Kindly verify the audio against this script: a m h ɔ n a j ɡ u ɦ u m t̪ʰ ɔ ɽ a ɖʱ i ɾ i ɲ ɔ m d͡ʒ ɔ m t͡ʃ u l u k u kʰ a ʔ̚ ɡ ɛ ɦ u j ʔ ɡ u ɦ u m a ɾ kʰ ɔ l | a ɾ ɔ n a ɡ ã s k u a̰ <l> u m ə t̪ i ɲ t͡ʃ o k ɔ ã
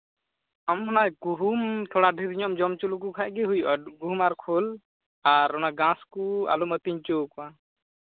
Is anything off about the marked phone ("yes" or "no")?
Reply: no